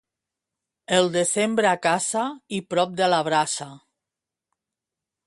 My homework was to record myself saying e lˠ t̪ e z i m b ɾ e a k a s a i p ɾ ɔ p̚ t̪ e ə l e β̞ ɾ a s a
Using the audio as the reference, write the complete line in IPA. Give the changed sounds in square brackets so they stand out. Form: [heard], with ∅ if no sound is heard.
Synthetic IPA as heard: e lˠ [d̪] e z [e] m b ɾ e a k a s a i p ɾ ɔ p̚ [d̪] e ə l [a] β̞ ɾ a s a